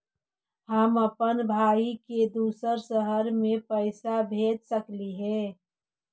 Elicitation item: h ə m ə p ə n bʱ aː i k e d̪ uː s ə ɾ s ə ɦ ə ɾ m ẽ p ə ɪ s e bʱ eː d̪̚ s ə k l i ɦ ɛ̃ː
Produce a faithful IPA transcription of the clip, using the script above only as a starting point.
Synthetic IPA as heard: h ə m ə p ə n bʱ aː i k e d̪ uː s ə ɾ s ə ɦ ə ɾ m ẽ p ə ɪ s a bʱ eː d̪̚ s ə k l i ɦ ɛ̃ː

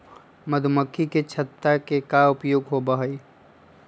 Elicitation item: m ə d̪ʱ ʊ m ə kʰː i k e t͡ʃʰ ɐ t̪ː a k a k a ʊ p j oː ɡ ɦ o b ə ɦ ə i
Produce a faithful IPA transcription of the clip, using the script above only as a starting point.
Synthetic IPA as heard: m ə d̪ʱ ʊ m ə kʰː i k e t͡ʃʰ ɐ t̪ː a k e k a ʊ p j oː ɡ ɦ o b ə ɦ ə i

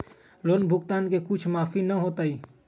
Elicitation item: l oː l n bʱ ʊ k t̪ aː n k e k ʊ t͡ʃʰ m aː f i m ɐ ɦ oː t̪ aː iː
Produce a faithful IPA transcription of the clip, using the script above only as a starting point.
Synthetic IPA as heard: l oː n bʱ ʊ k t̪ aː n k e k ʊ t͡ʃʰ m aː f i n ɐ ɦ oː t̪ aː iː

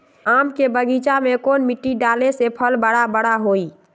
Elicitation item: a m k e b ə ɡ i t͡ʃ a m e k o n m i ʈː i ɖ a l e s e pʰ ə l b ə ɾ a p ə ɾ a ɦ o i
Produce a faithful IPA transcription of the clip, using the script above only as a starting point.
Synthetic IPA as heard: a m k e b ə ɡ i t͡ʃ a m e k o n m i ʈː i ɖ a l e s e pʰ ə l b ə ɽ a b ə ɽ a ɦ o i

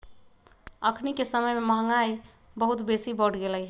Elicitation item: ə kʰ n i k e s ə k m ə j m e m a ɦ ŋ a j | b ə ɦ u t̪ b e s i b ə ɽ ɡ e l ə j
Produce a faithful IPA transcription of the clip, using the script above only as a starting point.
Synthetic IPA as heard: ə kʰ n i k e s ə m ə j m e m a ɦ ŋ a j | b ə ɦ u t̪ b e s i b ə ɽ ɡ e l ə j

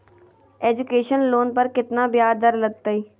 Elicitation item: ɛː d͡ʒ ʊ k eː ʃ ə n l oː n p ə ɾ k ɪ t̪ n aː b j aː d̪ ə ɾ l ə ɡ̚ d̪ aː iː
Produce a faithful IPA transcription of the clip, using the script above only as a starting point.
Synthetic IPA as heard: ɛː d͡ʒ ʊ k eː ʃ ə n l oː n p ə ɾ k ɪ t̪ n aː b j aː d̪ ə ɾ l ə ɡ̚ t̪ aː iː

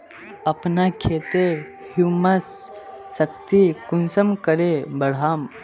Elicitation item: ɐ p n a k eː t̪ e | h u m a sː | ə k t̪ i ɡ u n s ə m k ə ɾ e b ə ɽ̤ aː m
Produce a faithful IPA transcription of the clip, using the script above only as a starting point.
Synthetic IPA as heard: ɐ p n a kʰ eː t̪ e | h u m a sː | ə k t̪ i k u n s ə m k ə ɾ e b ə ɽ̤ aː m

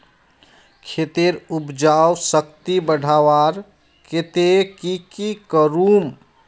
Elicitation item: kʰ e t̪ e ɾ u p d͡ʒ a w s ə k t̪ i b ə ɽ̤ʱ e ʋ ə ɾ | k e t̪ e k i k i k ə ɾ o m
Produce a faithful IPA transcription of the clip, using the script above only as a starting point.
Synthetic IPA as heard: kʰ e t̪ e ɾ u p d͡ʒ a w s ə k t̪ i b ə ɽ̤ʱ a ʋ a ɾ | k e t̪ e k i k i k ə ɾ u m

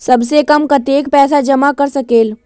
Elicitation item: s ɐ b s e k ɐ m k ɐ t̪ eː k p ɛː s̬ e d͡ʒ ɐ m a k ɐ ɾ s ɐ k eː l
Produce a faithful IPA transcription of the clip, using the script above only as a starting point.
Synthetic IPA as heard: s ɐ b s e k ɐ m k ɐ t̪ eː k p ɛː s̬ a d͡ʒ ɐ m a k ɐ ɾ s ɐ k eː l

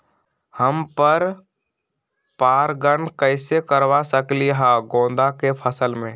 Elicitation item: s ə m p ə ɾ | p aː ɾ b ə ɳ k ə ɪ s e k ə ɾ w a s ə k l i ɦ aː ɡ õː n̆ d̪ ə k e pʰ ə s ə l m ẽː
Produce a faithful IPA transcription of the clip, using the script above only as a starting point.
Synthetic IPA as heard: h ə m p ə ɾ | p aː ɾ ɡ ə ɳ k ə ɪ s e k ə ɾ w a s ə k l i ɦ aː ɡ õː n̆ d̪ a k e pʰ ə s ə l m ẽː

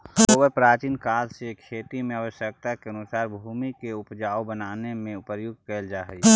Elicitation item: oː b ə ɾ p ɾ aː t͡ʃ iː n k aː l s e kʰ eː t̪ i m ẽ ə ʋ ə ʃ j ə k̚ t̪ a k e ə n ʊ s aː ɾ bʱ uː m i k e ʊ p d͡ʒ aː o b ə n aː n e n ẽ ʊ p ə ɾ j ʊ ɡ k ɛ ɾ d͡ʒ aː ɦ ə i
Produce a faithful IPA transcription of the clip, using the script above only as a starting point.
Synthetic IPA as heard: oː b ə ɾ p ɾ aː t͡ʃ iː n k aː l s e kʰ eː t̪ i m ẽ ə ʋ ə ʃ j ə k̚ t̪ a k e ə n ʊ s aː ɾ bʱ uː m i k e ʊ p d͡ʒ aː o b ə n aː n e m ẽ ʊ p ə ɾ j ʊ ɡ k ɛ l d͡ʒ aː ɦ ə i

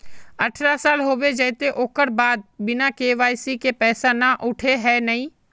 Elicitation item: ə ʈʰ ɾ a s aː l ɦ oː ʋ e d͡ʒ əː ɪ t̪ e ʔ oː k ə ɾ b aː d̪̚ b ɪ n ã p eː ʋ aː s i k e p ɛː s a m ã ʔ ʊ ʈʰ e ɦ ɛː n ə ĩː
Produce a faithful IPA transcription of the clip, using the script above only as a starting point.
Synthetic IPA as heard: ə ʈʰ ɾ a s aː l ɦ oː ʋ e d͡ʒ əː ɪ t̪ e ʔ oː k ə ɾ b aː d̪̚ b ɪ n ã k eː ʋ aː s i k e p ɛː s a n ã ʔ ʊ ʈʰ e ɦ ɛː n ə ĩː

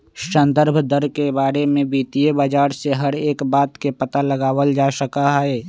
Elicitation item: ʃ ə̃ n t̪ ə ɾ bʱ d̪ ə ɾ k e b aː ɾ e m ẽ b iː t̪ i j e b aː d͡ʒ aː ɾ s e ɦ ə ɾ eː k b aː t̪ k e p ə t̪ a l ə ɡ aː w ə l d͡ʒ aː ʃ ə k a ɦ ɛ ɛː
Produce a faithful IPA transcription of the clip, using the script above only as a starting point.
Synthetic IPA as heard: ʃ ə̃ n d̪ ə ɾ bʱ d̪ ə ɾ k e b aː ɾ e m ẽ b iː t̪ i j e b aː d͡ʒ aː ɾ s e ɦ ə ɾ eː k b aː t̪ k e p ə t̪ a l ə ɡ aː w ə l d͡ʒ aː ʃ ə k a ɦ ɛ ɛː

